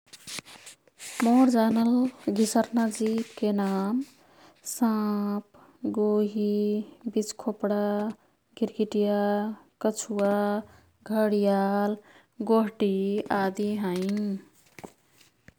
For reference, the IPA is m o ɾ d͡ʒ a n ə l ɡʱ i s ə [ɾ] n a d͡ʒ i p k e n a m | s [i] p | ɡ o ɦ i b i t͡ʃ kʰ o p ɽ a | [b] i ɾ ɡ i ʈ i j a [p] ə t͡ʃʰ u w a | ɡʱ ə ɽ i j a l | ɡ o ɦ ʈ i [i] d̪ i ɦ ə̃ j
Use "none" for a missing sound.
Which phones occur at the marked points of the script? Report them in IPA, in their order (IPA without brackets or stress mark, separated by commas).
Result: ɾ, a, ɡ, k, a